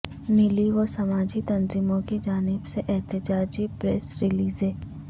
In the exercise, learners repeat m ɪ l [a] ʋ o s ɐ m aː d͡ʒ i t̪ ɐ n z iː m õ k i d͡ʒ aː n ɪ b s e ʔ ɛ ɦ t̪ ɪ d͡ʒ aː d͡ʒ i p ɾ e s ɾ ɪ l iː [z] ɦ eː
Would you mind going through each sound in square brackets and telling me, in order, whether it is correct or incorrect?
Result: incorrect, correct

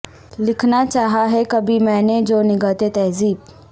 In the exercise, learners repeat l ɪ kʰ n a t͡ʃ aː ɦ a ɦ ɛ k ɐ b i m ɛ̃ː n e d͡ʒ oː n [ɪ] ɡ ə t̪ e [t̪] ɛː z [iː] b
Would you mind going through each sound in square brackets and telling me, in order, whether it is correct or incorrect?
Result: correct, correct, correct

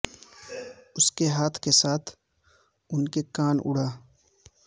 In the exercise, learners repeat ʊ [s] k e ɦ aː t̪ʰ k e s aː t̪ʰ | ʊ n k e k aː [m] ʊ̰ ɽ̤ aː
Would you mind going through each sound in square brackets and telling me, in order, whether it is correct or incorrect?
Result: correct, incorrect

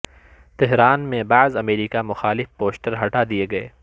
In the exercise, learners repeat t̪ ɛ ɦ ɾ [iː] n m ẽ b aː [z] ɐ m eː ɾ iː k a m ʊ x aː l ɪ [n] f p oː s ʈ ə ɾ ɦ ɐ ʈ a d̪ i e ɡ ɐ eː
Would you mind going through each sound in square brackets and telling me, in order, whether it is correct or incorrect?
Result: incorrect, correct, incorrect

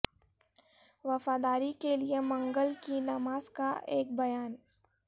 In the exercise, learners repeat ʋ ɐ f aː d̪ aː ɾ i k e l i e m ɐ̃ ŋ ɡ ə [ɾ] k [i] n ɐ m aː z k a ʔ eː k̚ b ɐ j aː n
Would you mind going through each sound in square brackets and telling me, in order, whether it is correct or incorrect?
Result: incorrect, correct

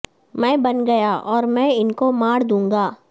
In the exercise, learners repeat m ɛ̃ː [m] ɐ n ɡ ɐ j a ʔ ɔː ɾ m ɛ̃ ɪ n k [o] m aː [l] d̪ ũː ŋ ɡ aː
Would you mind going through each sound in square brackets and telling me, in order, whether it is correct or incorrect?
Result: incorrect, correct, incorrect

